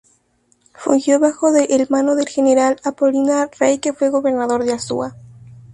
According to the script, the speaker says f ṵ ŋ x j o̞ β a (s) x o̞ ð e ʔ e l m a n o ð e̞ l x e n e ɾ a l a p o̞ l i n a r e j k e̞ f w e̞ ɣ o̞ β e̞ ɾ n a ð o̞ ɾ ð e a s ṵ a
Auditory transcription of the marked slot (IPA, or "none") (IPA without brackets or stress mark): none